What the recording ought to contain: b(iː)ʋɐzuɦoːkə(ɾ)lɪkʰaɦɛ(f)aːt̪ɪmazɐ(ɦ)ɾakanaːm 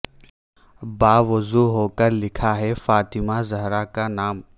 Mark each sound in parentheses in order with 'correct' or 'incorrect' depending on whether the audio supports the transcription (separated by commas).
incorrect, correct, correct, correct